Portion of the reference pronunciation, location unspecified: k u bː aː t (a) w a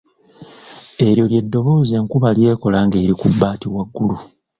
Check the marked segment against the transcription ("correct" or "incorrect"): incorrect